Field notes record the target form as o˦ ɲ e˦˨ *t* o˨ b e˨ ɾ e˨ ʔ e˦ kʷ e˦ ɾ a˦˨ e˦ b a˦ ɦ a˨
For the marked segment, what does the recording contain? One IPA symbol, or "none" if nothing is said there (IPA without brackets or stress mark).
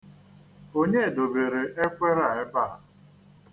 d